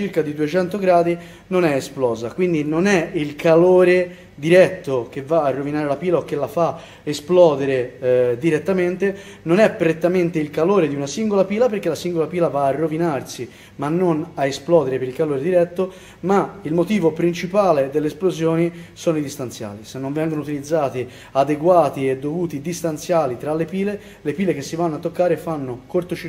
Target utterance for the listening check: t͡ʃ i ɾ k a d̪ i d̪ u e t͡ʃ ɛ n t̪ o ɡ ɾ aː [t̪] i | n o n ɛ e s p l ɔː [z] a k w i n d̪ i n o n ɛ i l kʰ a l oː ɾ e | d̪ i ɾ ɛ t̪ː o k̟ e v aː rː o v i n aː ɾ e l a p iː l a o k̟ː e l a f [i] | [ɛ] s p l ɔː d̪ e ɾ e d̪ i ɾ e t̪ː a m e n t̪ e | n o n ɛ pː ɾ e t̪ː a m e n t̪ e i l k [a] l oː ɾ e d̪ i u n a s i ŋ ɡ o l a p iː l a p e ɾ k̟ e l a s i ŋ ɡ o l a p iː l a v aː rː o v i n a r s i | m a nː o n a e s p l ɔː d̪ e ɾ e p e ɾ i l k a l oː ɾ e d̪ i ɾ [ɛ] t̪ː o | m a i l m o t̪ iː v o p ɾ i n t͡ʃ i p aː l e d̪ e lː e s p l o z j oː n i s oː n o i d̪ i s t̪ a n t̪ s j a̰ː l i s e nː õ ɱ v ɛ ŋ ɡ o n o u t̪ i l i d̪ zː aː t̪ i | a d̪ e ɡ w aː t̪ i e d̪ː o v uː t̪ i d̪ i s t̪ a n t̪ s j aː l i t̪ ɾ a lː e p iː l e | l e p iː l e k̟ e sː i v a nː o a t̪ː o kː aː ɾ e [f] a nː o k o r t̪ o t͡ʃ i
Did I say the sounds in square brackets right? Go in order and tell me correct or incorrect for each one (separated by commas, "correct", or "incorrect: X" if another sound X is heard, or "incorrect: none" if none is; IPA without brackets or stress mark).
incorrect: d̪, correct, incorrect: a, incorrect: e, correct, correct, correct